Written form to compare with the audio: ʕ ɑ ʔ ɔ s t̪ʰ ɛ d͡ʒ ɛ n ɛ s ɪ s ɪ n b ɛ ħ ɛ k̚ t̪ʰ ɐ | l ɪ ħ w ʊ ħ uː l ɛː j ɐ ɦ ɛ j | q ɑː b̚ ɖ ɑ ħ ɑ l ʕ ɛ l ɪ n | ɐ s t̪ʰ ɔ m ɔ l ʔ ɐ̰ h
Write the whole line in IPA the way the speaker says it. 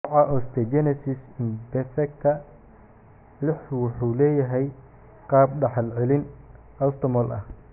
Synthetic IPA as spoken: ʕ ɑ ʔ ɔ s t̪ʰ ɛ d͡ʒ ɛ n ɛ s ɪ s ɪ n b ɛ f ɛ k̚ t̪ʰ ɐ | l ɪ ħ w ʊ ħ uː l ɛː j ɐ ɦ ɛ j | q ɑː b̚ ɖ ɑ ħ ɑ l ʕ ɛ l ɪ n | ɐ s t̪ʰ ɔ m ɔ l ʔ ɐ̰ h